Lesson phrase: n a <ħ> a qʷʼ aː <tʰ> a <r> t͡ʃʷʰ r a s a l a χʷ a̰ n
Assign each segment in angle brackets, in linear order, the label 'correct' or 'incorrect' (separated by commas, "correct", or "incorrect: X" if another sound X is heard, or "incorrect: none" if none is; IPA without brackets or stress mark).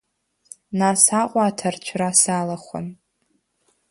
incorrect: s, correct, correct